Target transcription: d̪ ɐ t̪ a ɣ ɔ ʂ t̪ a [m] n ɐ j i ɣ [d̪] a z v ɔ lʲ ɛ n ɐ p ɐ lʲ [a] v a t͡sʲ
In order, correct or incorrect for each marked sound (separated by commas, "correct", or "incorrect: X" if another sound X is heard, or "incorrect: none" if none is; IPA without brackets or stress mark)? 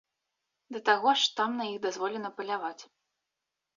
correct, correct, correct